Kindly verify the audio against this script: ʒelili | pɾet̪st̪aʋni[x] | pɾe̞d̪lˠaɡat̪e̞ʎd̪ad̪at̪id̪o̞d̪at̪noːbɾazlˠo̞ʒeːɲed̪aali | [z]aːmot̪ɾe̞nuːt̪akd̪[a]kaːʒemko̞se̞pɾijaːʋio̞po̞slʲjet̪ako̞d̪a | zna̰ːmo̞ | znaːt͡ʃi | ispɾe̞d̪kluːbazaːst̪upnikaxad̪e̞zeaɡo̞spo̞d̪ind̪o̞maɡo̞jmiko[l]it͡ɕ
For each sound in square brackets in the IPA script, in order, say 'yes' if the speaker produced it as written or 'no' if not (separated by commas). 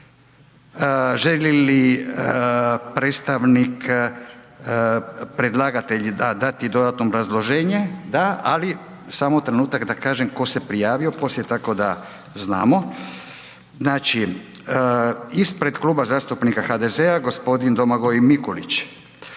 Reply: no, no, yes, yes